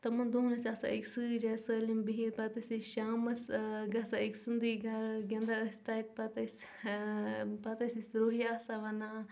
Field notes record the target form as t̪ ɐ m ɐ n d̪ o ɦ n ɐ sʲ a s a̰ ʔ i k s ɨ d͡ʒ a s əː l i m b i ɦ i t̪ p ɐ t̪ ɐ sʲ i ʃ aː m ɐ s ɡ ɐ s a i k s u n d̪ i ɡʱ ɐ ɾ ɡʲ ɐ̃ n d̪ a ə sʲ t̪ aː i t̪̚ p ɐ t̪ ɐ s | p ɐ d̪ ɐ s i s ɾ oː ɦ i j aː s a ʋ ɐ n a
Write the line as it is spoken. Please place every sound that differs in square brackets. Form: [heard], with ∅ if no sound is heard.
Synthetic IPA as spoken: t̪ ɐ m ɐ n d̪ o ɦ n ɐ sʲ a s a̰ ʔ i k s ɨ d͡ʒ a s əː l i m b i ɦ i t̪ p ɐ t̪ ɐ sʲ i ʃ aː m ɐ s ɡ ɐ s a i k s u n d̪ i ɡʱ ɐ ɾ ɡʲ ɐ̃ n d̪ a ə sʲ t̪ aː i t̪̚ p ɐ t̪ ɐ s | p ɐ [t̪] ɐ s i s ɾ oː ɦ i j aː s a ʋ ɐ n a